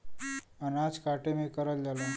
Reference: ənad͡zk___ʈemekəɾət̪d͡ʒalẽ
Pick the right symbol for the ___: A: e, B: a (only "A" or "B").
B